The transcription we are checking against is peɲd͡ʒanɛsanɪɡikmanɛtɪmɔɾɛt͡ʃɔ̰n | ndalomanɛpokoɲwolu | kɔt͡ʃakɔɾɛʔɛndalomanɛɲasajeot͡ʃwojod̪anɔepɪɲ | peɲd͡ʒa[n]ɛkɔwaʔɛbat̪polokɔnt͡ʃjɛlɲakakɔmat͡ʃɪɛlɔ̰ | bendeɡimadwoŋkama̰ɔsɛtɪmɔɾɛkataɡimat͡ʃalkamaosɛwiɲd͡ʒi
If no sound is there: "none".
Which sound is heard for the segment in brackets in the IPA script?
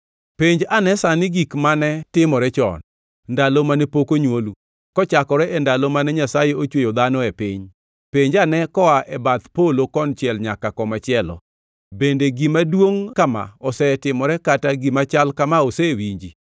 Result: n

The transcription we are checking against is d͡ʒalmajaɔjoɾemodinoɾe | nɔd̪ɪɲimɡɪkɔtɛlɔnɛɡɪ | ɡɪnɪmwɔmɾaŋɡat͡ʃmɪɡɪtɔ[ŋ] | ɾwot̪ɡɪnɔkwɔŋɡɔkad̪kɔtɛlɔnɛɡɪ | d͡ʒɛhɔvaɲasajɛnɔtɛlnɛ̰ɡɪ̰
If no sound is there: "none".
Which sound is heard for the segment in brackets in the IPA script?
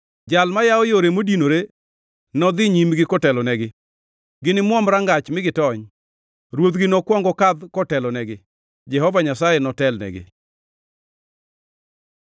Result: ɲ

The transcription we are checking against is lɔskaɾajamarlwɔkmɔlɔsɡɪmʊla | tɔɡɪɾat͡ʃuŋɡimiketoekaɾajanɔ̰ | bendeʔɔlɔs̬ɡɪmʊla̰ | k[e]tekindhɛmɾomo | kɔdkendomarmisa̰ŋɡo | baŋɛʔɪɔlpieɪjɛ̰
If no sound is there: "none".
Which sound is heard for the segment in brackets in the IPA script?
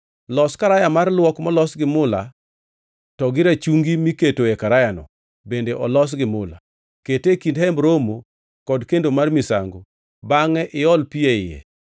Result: e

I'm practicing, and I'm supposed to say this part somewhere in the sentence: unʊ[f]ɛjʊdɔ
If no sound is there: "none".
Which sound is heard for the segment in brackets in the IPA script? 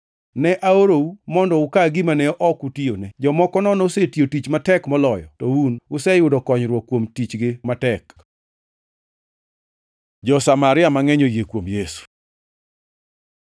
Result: s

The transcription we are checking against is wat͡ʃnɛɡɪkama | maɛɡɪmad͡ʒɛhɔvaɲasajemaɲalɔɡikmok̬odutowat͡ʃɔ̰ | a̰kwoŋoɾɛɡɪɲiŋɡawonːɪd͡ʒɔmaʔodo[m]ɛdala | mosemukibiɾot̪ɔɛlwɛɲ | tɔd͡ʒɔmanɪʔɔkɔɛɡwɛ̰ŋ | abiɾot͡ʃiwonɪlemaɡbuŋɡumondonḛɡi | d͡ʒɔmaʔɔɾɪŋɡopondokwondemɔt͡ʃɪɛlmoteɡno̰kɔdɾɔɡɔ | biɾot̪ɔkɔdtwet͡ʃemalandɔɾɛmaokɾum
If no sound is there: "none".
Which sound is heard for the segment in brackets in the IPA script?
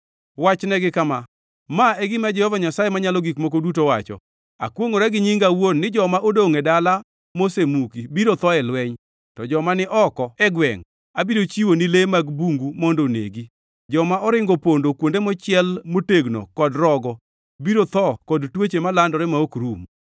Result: ŋ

